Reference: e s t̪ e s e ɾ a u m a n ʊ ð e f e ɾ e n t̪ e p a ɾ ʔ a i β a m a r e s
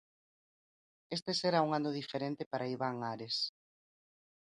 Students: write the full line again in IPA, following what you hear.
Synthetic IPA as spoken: e s t̪ e s e ɾ a u ŋ a n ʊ ð i f e ɾ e n t̪ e p a ɾ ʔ a i β a ŋ a ɾ e s